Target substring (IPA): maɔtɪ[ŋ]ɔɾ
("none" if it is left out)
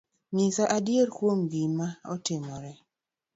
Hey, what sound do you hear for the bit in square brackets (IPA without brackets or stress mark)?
m